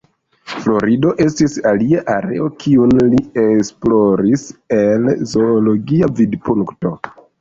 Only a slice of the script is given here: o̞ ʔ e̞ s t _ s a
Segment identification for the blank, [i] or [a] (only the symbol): i